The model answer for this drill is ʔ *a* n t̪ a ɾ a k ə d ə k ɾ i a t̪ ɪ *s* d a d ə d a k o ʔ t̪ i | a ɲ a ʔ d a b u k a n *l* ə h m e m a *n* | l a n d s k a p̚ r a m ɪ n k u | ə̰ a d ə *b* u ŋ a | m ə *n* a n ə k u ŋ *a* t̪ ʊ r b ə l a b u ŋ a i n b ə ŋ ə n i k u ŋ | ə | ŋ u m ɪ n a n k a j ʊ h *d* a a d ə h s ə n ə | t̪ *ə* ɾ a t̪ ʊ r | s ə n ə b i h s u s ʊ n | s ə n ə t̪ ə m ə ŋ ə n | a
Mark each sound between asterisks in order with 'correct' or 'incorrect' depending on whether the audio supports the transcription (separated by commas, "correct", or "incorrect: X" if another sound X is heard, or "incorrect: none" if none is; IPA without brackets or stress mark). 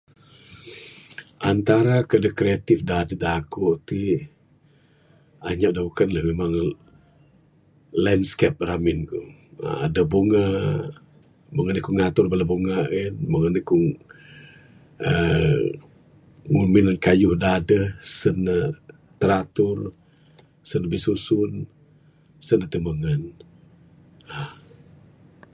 correct, incorrect: f, correct, incorrect: ŋ, correct, incorrect: ŋ, correct, correct, correct